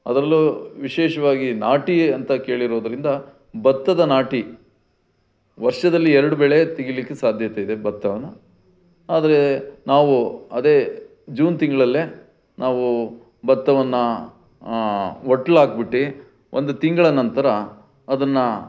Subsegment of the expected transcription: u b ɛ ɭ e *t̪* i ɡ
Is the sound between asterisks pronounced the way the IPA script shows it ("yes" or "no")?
yes